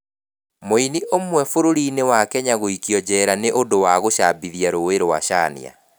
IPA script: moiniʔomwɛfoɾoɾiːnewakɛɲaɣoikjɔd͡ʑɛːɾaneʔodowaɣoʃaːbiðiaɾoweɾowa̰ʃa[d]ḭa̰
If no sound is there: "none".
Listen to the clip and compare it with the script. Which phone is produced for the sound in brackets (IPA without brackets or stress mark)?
n